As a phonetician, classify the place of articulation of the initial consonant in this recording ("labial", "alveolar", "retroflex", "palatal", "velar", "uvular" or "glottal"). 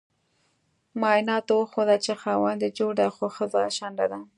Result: labial